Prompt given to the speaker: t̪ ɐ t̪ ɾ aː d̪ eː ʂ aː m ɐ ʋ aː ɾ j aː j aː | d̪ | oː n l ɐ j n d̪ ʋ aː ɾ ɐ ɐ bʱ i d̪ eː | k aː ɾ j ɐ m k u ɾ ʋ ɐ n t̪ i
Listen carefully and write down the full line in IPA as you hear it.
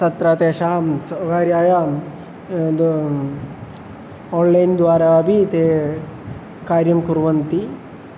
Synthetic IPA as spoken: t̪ ɐ t̪ ɾ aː t̪ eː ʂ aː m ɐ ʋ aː ɾ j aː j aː | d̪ | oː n l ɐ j n d̪ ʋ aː ɾ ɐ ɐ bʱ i t̪ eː | k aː ɾ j ɐ m k u ɾ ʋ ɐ n t̪ i